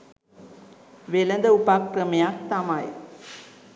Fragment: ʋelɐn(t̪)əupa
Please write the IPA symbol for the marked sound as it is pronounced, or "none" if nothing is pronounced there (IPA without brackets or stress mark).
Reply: d̪